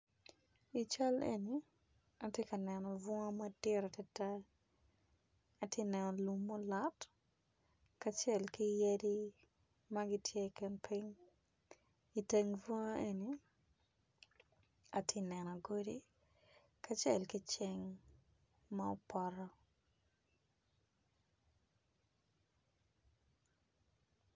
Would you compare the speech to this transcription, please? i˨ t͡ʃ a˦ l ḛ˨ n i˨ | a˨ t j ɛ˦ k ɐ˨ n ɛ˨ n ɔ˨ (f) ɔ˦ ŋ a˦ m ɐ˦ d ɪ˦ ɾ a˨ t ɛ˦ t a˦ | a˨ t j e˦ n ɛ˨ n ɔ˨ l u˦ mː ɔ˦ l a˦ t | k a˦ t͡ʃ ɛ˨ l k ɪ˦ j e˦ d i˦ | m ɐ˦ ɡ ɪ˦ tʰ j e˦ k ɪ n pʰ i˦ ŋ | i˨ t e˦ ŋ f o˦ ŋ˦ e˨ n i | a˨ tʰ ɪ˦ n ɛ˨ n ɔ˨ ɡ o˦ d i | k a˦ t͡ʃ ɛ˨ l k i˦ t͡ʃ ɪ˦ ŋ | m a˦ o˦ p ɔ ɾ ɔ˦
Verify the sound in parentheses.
incorrect: v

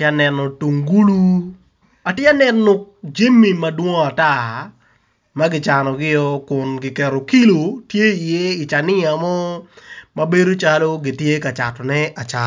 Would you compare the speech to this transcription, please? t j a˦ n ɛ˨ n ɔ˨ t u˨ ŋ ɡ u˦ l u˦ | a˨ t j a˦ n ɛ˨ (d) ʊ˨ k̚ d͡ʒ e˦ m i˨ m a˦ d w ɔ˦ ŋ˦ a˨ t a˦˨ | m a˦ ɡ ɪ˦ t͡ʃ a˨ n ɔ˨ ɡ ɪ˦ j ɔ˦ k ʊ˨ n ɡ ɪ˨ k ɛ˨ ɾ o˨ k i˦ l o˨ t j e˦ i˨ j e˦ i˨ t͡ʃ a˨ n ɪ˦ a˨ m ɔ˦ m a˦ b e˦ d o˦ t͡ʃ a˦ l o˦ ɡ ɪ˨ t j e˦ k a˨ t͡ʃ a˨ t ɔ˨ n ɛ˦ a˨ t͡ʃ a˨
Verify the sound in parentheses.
incorrect: n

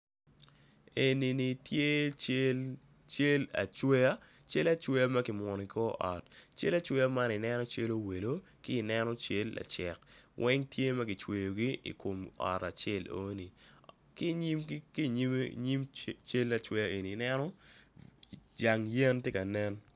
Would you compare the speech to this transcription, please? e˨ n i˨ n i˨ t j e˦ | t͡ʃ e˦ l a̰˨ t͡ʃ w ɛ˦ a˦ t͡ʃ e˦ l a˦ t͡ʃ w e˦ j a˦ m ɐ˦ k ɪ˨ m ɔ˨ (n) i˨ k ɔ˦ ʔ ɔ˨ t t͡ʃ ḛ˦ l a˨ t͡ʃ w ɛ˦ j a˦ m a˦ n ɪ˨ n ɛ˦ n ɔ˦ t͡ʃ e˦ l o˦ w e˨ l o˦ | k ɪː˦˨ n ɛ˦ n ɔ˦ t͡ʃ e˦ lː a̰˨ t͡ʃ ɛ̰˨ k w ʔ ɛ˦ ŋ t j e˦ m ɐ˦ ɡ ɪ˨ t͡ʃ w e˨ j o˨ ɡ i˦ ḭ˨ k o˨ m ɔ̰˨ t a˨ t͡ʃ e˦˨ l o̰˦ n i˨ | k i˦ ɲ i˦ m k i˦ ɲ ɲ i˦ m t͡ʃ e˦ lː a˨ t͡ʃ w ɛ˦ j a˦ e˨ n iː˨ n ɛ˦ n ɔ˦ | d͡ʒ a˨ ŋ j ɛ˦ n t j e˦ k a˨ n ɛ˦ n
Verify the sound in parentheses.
correct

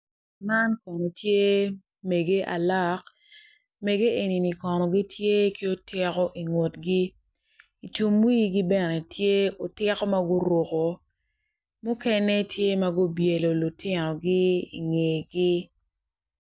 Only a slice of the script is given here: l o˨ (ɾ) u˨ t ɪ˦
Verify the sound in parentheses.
incorrect: l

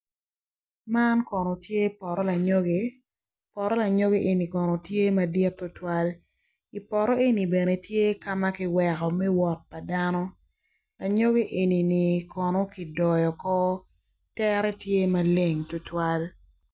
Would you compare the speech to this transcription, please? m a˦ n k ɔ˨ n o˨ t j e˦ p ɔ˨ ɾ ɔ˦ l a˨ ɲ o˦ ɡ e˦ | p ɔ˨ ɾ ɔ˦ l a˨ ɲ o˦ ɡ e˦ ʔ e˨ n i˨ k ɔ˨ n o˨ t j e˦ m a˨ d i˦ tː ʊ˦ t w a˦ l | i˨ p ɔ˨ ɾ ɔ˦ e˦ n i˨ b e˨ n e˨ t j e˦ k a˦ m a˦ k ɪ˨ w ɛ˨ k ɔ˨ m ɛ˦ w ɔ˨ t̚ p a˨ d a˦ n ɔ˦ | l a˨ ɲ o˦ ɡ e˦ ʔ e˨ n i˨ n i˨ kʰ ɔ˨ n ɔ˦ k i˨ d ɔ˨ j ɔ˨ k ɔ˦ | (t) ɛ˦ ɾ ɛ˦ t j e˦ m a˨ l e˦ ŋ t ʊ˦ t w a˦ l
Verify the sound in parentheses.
correct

